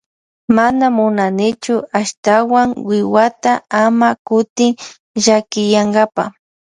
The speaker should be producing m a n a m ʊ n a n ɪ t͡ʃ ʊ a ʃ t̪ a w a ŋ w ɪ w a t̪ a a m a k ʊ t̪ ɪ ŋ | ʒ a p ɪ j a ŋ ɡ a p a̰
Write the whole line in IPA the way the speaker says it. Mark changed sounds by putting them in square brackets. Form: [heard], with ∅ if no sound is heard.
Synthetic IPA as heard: m a n a m ʊ n a n ɪ t͡ʃ ʊ a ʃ t̪ a w a ŋ w ɪ w a t̪ a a m a k ʊ t̪ ɪ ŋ | ʒ a [k] ɪ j a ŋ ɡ a p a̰